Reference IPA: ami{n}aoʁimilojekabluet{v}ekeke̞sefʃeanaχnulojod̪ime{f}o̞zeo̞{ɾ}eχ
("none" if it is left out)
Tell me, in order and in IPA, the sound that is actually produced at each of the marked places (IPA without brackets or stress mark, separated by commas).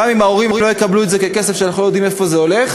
m, z, f, l